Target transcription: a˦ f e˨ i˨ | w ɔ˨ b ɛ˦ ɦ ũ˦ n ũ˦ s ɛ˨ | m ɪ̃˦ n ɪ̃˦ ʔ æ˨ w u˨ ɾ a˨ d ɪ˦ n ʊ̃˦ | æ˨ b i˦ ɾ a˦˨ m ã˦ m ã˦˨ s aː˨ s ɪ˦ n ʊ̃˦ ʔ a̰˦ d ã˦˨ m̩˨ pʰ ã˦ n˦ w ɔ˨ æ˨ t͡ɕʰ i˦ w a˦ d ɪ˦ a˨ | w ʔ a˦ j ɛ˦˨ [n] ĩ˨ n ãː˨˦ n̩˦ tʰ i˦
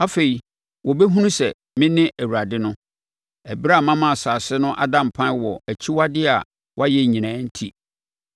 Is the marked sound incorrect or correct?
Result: incorrect